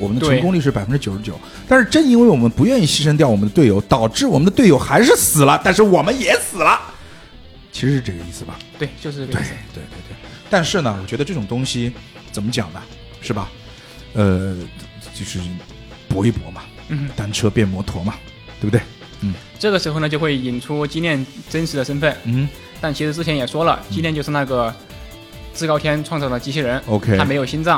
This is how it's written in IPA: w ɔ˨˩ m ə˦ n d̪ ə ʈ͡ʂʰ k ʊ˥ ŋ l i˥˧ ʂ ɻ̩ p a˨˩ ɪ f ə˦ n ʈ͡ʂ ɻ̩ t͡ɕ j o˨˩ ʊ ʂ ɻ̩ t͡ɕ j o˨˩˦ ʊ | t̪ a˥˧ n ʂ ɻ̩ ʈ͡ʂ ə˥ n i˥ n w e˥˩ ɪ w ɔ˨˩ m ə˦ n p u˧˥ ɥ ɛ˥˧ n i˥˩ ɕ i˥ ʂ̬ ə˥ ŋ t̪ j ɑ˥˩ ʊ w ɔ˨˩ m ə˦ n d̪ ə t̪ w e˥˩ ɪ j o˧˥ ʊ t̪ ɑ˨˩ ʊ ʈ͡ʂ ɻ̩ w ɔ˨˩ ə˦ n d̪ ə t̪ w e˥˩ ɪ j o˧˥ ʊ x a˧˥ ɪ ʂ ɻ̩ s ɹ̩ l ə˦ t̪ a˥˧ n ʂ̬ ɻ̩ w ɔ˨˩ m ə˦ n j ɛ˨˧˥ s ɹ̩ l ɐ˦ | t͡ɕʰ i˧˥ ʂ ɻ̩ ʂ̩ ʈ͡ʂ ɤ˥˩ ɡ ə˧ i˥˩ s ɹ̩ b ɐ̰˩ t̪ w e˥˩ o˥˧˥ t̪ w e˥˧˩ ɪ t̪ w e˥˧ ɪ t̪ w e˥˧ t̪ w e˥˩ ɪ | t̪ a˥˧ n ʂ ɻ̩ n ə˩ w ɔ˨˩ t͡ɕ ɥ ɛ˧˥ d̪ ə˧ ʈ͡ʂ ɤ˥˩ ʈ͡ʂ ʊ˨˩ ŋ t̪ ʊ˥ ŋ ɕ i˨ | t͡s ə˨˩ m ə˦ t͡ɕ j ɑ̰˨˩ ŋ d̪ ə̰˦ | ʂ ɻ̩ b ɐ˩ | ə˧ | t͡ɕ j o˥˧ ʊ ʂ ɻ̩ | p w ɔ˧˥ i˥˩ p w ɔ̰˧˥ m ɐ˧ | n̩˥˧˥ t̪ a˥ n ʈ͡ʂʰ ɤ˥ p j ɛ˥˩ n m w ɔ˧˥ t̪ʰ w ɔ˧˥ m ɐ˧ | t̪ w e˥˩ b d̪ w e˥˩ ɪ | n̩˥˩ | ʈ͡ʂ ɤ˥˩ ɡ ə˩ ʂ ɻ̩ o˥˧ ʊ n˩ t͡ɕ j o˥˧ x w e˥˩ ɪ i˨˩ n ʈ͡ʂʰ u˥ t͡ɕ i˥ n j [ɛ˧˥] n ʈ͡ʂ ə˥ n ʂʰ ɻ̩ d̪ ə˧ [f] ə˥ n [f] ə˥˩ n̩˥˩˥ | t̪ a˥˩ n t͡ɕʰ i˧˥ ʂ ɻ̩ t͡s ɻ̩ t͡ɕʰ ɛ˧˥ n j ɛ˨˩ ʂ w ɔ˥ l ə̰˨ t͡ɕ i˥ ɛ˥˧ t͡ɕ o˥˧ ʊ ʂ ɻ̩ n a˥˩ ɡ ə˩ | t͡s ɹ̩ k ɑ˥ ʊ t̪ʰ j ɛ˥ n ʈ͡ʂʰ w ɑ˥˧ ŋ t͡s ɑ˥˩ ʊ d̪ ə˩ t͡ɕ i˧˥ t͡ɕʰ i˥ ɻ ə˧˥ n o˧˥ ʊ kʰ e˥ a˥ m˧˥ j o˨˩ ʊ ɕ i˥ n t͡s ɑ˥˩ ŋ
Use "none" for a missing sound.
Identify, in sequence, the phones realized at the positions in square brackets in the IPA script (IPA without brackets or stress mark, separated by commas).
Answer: ɛ˥˩, ʂ, f